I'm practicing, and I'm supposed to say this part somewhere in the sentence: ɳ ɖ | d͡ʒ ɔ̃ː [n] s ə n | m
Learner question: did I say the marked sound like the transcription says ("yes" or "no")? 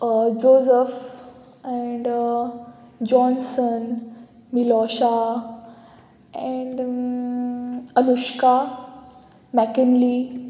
yes